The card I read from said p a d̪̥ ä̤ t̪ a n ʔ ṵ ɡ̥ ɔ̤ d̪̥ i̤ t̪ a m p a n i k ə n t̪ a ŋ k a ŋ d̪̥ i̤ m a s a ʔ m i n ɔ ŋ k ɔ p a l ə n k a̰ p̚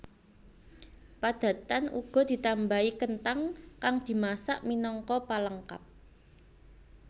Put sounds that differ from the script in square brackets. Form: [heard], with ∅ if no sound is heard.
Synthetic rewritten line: p a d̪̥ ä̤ t̪ a n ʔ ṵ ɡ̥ ɔ̤ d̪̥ i̤ t̪ a m [b] a [∅] i k ə n t̪ a ŋ k a ŋ d̪̥ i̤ m a s a ʔ m i n ɔ ŋ k ɔ p a l ə [ŋ] k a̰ p̚